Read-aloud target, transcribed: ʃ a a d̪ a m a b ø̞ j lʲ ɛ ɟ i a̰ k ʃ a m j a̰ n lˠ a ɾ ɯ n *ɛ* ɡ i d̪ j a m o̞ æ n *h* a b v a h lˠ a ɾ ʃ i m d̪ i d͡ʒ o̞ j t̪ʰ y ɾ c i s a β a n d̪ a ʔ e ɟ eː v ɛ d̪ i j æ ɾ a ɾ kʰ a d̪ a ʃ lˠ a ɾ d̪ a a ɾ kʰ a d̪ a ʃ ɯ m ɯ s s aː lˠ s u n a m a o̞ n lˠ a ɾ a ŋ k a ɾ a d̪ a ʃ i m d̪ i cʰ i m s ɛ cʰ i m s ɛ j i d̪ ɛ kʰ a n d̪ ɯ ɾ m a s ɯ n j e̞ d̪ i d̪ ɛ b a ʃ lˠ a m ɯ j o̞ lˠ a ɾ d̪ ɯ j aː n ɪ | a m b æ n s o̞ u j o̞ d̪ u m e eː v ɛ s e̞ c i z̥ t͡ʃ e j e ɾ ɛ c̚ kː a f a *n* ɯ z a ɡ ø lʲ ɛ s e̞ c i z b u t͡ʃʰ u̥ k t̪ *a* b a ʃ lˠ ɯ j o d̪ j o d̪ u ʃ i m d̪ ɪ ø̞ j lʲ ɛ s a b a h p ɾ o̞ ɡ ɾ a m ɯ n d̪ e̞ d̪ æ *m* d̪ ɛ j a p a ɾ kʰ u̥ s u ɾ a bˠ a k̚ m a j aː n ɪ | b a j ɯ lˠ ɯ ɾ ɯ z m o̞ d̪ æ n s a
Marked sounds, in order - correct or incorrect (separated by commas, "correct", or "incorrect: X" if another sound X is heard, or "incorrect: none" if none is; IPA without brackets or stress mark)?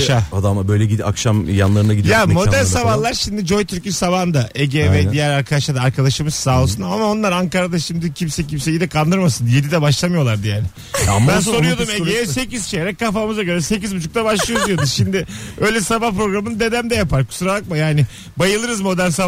incorrect: a, incorrect: s, incorrect: m, correct, correct